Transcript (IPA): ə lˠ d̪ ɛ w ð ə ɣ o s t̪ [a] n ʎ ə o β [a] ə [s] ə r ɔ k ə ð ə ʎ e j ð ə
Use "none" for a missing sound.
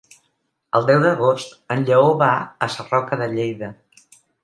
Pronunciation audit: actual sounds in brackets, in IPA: ə, a, s

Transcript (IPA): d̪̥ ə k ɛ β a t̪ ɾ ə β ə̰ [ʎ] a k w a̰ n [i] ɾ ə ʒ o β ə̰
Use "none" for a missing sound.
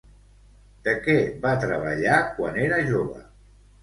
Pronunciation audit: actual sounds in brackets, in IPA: ʎ, e

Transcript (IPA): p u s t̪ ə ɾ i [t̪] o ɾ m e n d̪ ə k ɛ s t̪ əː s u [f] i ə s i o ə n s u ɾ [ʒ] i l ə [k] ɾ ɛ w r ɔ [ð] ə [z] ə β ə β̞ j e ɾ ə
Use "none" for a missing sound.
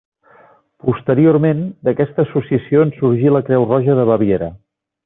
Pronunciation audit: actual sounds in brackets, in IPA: none, s, ʒ, k, ʒ, ð

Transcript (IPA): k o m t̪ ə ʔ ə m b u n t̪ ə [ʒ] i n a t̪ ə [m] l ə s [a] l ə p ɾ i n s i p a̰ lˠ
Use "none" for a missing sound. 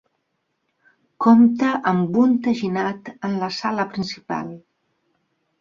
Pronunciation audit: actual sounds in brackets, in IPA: ʒ, n, a

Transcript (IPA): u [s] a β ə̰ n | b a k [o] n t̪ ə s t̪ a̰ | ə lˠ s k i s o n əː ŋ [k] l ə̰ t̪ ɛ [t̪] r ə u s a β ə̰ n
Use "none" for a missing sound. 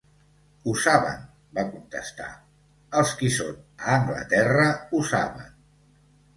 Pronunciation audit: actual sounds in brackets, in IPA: s, u, ɡ, none

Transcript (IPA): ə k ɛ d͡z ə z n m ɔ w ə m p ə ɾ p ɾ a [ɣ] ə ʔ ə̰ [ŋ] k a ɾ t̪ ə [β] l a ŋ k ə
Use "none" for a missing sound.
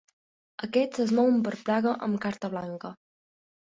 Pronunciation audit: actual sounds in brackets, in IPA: ɣ, m, β

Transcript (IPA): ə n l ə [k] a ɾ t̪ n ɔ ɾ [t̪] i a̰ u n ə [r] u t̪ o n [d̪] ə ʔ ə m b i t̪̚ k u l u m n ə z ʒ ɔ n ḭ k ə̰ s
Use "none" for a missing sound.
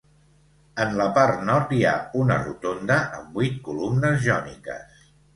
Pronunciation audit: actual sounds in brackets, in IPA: p, t̪, r, d̪

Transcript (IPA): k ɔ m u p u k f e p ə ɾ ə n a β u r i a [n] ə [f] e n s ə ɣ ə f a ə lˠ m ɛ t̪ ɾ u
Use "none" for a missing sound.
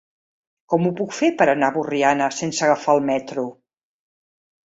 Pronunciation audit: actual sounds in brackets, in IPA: n, s

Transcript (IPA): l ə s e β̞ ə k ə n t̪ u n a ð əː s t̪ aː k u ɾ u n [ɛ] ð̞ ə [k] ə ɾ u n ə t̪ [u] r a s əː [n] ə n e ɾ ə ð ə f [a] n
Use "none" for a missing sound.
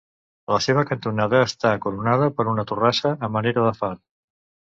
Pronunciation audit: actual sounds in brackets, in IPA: a, p, u, m, a

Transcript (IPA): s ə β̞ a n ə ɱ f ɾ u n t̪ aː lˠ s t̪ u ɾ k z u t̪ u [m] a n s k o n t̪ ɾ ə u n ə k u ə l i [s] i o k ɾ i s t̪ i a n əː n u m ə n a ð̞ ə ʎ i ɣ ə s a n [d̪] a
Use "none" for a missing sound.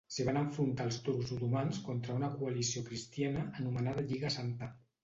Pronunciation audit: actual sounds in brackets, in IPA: m, s, t̪

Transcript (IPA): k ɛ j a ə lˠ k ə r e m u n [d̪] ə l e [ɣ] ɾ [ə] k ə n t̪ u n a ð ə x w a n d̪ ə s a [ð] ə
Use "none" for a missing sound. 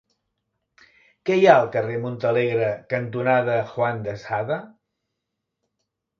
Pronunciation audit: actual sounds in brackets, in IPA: t̪, ɣ, ə, ð

